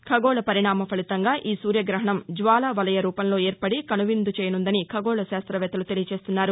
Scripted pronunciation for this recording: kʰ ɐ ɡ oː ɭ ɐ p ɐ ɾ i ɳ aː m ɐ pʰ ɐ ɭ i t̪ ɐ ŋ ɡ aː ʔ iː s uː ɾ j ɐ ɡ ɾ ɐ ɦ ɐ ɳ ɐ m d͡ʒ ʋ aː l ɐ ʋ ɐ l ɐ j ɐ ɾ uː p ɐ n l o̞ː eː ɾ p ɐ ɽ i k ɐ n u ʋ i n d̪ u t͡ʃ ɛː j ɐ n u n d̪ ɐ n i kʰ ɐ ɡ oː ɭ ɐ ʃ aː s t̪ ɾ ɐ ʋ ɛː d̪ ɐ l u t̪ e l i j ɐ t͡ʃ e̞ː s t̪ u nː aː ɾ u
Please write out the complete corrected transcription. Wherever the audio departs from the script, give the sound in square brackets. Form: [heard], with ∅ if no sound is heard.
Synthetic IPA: kʰ ɐ ɡ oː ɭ ɐ p ɐ ɾ i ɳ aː m ɐ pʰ ɐ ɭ i t̪ ɐ ŋ ɡ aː ʔ iː s uː ɾ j ɐ ɡ ɾ ɐ ɦ ɐ ɳ ɐ m d͡ʒ ʋ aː l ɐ ʋ ɐ l ɐ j ɐ ɾ uː p ɐ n l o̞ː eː ɾ p ɐ ɽ i k ɐ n u ʋ i n d̪ u t͡ʃ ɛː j ɐ n u n d̪ ɐ n i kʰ ɐ ɡ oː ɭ ɐ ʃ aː s t̪ ɾ ɐ ʋ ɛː [t̪] ɐ l u t̪ e l i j ɐ t͡ʃ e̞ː s t̪ u nː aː ɾ u

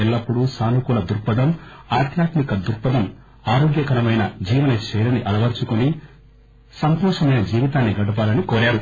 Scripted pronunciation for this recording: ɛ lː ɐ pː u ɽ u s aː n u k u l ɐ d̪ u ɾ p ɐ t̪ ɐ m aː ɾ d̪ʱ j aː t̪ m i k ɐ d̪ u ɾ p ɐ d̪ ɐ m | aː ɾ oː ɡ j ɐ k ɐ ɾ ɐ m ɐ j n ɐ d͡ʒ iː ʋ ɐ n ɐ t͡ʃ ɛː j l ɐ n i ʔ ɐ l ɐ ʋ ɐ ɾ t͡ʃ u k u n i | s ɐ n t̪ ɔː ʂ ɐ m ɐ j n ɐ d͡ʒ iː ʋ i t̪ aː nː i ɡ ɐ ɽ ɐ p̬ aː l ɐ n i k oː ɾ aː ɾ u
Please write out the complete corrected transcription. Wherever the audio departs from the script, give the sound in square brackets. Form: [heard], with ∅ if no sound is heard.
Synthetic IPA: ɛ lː ɐ pː u ɽ u s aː n u k u l ɐ d̪ u ɾ p ɐ [d̪] ɐ m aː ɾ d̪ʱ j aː t̪ m i k ɐ d̪ u ɾ p ɐ d̪ ɐ m | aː ɾ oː ɡ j ɐ k ɐ ɾ ɐ m ɐ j n ɐ d͡ʒ iː ʋ ɐ n ɐ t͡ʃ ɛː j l ɐ n i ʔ ɐ l ɐ ʋ ɐ ɾ t͡ʃ u k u n i | s ɐ n t̪ ɔː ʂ ɐ m ɐ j n ɐ d͡ʒ iː ʋ i t̪ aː nː i ɡ ɐ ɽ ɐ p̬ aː l ɐ n i k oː ɾ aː ɾ u

